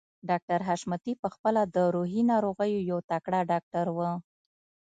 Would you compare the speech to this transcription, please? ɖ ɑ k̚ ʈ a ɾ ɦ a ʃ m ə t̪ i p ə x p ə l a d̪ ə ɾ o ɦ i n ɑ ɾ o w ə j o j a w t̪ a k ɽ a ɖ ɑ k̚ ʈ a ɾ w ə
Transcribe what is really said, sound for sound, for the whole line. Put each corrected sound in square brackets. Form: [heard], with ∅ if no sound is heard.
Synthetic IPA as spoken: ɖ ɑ k̚ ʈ a ɾ ɦ a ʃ m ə t̪ i p ə x p ə l a d̪ ə ɾ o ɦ i n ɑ ɾ o [ɣ] ə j o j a w t̪ a k ɽ a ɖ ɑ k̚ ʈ a ɾ w ə

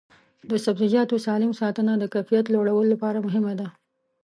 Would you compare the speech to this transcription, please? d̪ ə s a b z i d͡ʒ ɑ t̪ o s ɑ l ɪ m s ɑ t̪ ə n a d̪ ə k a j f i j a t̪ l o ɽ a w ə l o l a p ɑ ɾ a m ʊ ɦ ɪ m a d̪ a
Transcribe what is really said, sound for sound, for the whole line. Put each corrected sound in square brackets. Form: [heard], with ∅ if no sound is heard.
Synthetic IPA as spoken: d̪ ə s a b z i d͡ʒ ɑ t̪ o s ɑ l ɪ m s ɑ t̪ ə n a d̪ ə k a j f i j a t̪ l o ɽ a w ə l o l a p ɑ ɾ a m ʊ ɦ ɪ m a d̪ a

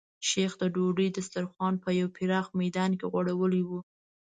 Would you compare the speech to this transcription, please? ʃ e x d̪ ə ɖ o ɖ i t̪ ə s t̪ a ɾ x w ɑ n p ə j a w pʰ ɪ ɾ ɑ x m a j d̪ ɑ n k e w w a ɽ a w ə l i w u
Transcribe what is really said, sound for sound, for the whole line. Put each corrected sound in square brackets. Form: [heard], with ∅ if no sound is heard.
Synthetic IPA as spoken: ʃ e x d̪ ə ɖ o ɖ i [d̪] ə s t̪ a ɾ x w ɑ n p ə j a w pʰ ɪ ɾ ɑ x m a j d̪ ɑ n k e [ɣ] w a ɽ a w ə l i w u

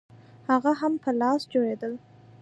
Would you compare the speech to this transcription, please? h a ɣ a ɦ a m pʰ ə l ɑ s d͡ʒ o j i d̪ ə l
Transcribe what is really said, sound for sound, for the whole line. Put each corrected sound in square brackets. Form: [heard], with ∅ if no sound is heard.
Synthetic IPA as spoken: h a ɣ a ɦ a m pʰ ə l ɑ s d͡ʒ o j [e] d̪ ə l

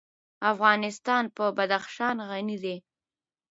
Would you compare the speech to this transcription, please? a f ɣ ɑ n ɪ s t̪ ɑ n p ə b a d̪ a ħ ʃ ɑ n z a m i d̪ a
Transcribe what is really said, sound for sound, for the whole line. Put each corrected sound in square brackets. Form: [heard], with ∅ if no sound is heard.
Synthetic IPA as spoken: a f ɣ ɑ n ɪ s t̪ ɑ n p ə b a d̪ a [x] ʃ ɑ n [ɣ] a [n] i d̪ [e]

